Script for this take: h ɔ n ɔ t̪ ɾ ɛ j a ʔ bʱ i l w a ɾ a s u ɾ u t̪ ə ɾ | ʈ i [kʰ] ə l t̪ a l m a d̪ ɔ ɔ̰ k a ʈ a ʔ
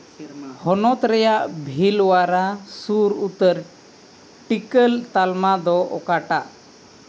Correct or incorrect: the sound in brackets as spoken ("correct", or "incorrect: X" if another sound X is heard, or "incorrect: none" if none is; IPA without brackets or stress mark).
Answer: incorrect: k